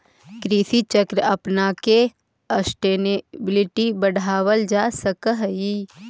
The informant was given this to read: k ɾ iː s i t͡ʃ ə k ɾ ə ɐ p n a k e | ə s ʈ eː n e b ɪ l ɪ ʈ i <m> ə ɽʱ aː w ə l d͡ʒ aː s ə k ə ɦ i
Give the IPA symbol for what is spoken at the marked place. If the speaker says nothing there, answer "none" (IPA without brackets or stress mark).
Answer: b